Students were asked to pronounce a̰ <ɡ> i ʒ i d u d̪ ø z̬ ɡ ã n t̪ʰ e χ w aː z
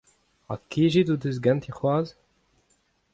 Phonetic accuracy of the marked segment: incorrect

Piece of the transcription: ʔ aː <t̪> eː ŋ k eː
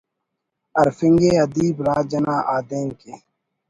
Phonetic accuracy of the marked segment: incorrect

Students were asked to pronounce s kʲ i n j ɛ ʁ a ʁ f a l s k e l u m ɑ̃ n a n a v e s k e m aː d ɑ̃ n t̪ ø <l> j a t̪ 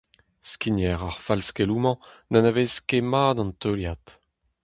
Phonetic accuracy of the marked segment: correct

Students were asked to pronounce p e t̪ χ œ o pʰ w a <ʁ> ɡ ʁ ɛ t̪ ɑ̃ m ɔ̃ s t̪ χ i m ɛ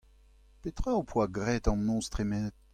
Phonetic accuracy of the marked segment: incorrect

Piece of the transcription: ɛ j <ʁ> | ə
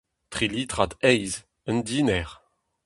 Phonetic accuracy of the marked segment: incorrect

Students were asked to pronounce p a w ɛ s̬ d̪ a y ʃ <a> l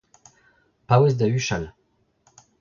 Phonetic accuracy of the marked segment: correct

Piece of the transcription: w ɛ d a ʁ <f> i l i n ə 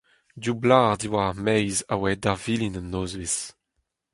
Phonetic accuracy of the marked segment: incorrect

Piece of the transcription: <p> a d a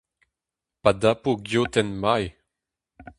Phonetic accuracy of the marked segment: correct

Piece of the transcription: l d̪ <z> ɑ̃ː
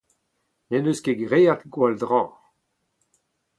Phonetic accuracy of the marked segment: incorrect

